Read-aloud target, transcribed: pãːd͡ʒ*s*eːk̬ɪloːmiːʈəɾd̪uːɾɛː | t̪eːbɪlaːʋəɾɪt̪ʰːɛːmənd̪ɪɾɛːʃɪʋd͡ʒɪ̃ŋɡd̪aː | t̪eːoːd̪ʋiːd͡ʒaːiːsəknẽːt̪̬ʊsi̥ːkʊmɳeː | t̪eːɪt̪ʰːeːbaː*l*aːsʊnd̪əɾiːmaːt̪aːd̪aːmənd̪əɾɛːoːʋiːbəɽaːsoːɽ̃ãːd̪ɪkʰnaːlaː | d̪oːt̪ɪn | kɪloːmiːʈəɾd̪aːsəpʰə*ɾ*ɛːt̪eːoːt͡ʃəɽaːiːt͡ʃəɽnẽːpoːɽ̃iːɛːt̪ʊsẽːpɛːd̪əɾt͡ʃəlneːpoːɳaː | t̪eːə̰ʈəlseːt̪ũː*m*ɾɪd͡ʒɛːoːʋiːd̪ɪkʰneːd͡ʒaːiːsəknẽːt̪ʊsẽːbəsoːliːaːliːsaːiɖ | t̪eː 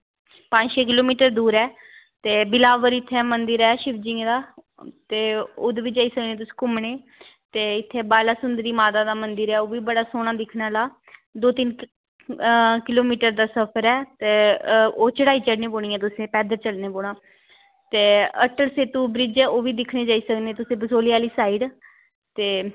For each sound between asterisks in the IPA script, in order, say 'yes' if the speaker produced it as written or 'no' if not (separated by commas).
no, yes, yes, no